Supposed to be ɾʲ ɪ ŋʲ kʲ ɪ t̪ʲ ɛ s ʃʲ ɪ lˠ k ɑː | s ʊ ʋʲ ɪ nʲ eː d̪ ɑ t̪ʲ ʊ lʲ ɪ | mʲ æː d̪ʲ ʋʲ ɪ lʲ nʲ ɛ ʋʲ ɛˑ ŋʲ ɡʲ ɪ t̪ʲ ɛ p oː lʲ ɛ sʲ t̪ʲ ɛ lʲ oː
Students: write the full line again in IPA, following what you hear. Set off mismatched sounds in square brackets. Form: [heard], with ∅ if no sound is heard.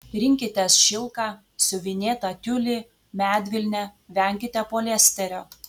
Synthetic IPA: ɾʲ ɪ ŋʲ kʲ ɪ t̪ʲ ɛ s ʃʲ ɪ lˠ k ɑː | s ʊ ʋʲ ɪ nʲ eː [t̪] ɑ t̪ʲ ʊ lʲ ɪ | mʲ æː d̪ʲ ʋʲ ɪ lʲ nʲ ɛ ʋʲ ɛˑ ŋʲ [kʲ] ɪ t̪ʲ ɛ p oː lʲ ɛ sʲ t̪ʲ ɛ [ɾʲ] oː